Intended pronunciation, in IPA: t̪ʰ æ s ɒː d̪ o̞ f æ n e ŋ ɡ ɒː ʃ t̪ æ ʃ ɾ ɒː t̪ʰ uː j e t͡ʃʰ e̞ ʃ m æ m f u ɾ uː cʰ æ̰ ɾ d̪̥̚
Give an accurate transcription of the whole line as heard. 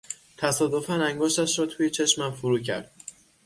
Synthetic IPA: t̪ʰ æ s ɒː d̪ o̞ f æ n æ ŋ ɡ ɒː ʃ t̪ æ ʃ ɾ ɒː t̪ʰ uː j e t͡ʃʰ e̞ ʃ m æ m f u ɾ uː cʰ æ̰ ɾ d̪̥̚